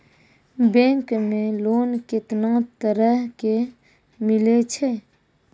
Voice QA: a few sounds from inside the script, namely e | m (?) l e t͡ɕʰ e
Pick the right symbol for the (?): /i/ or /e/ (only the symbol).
i